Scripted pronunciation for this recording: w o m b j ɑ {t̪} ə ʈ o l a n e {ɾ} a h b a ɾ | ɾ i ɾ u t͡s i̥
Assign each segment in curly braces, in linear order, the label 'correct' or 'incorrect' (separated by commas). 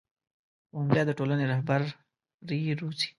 incorrect, correct